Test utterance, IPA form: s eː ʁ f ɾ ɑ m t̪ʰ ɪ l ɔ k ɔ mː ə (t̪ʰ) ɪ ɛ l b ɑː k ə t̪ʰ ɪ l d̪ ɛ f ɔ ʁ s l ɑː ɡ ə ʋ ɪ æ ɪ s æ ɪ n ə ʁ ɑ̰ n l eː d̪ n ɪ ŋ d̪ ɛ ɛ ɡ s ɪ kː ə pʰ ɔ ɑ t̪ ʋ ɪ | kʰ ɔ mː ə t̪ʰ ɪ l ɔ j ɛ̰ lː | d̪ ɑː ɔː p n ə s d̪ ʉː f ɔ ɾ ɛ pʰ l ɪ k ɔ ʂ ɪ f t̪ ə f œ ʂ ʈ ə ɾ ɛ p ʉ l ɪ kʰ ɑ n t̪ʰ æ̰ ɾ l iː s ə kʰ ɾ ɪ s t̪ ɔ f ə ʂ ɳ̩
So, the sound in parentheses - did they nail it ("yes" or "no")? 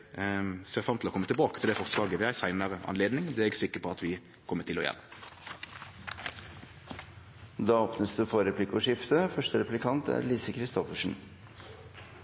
no